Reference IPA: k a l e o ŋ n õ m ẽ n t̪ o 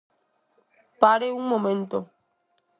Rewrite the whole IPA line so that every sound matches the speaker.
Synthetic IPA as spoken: p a ɾ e u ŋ m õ m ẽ n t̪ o